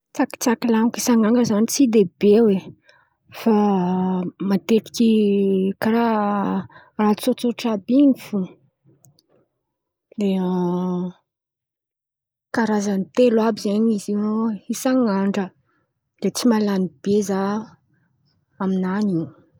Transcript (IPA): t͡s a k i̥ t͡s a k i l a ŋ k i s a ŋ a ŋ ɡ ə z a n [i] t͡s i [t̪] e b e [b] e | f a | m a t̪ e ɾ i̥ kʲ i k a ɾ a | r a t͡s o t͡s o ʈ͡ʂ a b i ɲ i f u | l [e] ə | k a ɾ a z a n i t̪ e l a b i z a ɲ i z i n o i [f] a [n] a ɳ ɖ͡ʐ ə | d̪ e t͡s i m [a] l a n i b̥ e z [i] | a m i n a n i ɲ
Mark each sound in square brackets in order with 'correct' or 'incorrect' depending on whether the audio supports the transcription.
correct, incorrect, incorrect, correct, incorrect, incorrect, correct, incorrect

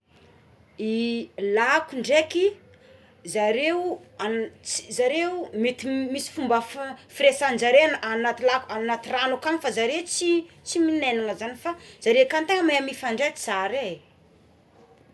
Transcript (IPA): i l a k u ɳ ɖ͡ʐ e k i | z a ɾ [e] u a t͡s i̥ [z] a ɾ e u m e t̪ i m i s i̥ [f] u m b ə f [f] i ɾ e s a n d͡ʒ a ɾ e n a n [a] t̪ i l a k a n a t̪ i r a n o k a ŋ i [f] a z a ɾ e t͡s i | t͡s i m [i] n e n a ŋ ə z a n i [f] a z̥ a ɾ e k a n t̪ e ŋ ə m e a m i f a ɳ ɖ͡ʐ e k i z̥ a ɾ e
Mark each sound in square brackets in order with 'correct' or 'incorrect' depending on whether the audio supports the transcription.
correct, correct, correct, correct, correct, correct, correct, correct

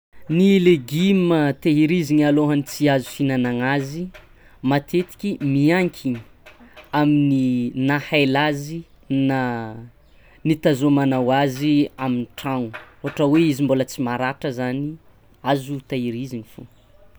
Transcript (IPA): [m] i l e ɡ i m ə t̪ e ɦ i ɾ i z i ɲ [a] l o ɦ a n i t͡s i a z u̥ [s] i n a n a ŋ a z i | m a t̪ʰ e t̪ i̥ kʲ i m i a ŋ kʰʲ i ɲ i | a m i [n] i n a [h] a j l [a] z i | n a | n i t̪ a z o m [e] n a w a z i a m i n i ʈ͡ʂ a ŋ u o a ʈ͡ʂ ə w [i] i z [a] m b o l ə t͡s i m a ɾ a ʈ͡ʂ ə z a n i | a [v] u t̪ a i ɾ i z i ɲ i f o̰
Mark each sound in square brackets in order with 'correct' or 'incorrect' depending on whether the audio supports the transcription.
incorrect, correct, incorrect, correct, correct, correct, incorrect, incorrect, incorrect, incorrect

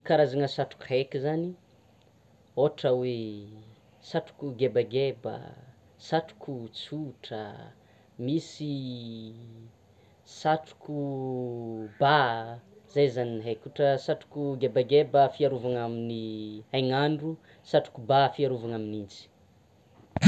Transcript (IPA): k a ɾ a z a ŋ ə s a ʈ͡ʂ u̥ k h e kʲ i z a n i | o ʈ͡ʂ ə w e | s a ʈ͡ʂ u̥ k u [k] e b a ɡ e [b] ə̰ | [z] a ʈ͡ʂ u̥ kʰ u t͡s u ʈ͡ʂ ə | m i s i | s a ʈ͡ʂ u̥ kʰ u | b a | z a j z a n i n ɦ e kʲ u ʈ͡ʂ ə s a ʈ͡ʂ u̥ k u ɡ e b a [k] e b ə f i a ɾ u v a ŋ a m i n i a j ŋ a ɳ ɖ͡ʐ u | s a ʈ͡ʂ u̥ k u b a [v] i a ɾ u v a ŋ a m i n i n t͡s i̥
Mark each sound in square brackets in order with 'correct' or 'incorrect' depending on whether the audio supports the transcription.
incorrect, correct, incorrect, incorrect, incorrect

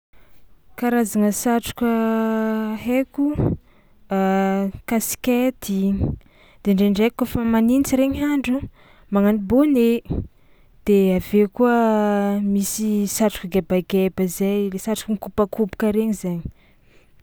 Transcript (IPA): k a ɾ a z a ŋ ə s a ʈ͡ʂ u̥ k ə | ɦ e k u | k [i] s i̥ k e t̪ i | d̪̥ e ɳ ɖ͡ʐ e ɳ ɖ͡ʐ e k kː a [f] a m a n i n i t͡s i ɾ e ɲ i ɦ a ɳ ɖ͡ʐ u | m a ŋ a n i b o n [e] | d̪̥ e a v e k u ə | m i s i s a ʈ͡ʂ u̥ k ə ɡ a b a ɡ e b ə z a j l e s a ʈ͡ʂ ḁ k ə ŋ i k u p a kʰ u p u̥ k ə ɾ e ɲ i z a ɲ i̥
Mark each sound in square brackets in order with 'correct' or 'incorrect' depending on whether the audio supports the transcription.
incorrect, correct, correct

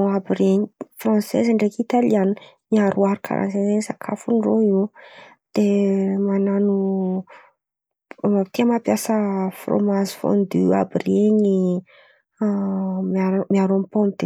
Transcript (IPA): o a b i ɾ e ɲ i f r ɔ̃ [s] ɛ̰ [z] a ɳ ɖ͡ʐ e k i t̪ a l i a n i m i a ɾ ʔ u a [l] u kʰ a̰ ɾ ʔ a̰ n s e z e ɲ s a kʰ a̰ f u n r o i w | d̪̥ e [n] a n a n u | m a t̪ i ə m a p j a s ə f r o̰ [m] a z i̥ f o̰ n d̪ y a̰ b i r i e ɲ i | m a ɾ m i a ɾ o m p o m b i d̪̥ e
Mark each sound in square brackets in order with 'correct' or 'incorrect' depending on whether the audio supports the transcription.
correct, correct, incorrect, incorrect, correct

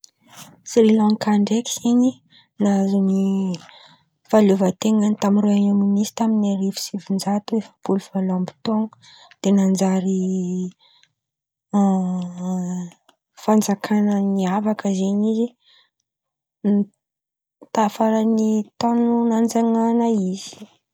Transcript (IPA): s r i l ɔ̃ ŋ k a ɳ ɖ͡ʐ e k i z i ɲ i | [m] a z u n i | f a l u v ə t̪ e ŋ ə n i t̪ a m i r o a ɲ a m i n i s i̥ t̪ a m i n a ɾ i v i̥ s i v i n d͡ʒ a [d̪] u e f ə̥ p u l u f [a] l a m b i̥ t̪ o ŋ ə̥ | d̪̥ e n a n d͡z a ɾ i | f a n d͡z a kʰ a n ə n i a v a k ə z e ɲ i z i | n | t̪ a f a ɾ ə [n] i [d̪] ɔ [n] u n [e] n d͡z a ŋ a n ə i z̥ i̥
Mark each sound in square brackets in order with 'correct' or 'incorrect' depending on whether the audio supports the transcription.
incorrect, incorrect, correct, correct, incorrect, correct, incorrect

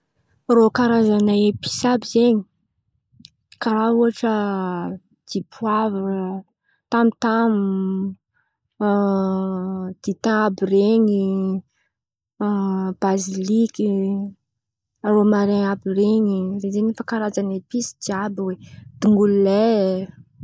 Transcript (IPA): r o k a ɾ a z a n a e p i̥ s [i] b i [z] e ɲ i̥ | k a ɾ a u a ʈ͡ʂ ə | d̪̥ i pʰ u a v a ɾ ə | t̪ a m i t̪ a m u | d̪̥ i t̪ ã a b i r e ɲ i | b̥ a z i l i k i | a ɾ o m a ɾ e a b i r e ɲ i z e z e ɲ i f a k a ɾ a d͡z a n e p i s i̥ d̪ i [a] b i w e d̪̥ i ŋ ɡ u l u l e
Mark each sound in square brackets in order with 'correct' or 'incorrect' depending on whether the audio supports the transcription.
incorrect, correct, correct

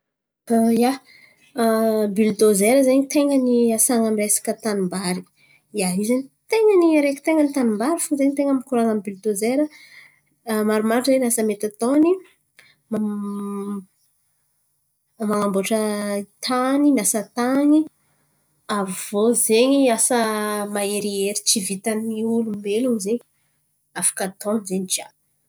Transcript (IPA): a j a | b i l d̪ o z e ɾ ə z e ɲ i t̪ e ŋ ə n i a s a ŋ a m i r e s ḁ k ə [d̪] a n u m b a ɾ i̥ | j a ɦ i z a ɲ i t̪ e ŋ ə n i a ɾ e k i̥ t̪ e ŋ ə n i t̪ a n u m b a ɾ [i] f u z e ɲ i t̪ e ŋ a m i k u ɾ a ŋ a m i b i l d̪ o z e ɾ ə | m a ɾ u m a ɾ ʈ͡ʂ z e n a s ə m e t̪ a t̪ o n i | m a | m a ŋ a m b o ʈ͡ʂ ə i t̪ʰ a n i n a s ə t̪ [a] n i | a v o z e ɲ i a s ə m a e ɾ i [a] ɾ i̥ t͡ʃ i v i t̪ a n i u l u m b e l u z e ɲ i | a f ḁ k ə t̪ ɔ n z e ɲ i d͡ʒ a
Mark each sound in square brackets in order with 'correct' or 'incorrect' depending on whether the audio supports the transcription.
incorrect, correct, correct, incorrect

